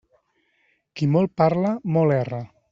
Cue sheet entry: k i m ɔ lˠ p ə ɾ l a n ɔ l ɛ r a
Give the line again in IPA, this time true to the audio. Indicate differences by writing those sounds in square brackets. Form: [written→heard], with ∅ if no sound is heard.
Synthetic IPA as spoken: k i m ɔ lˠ p [ə→a] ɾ l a [n→m] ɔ l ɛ r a